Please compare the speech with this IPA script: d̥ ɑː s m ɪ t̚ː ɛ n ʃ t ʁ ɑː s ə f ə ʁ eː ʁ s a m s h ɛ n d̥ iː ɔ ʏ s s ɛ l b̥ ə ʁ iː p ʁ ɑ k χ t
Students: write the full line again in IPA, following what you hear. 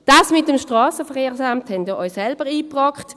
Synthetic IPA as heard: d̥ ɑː s m ɪ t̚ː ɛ m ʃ t ʁ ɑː s ə f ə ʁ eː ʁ s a m t h ɛ n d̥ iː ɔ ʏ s s ɛ l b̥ ə ʁ iː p ʁ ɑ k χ t